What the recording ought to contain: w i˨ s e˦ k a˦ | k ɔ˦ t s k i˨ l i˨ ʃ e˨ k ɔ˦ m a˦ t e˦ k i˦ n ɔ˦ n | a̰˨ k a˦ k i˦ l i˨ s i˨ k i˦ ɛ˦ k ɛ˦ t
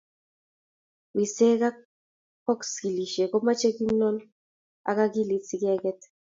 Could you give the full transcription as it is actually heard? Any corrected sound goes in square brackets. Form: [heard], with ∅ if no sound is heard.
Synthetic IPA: w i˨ s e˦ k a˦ | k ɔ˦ [k] s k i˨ l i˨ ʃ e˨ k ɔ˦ m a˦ [t͡ʃ] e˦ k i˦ n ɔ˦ n | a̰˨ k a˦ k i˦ l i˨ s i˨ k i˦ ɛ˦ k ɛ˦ t